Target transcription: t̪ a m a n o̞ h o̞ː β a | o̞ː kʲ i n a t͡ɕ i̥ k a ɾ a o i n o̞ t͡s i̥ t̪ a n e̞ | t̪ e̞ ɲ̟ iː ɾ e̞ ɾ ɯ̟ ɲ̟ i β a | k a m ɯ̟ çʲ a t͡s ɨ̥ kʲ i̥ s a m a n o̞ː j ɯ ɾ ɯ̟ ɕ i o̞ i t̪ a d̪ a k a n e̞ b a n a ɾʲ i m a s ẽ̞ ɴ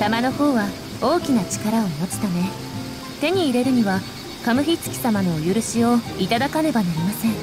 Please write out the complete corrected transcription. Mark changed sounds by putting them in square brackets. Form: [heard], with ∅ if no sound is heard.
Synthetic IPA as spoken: t̪ a m a n o̞ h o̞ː β a | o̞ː kʲ i n a t͡ɕ i̥ k a ɾ a o i n o̞ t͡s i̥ t̪ a n e̞ | t̪ e̞ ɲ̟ iː ɾ e̞ ɾ ɯ̟ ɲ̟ i β a | k a m ɯ̟ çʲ [i] t͡s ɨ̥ kʲ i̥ s a m a n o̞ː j ɯ ɾ ɯ̟ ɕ i o̞ i t̪ a d̪ a k a n e̞ b a n a ɾʲ i m a s ẽ̞ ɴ